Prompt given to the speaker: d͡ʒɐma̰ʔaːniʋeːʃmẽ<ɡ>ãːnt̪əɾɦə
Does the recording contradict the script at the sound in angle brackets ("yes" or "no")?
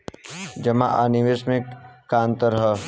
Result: yes